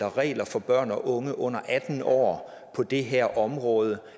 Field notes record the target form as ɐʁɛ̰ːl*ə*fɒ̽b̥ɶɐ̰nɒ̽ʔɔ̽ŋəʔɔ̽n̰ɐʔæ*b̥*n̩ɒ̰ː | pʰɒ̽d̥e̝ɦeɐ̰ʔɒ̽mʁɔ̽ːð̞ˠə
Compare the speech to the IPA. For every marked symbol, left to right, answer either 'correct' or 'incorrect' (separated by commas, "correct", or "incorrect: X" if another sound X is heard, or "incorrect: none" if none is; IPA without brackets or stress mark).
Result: incorrect: ɐ, incorrect: d̥